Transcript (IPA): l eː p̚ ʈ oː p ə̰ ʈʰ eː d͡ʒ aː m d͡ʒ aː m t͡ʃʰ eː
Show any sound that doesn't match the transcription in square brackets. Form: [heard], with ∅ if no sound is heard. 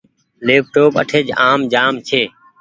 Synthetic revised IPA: l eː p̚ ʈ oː p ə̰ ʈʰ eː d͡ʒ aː m d͡ʒ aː m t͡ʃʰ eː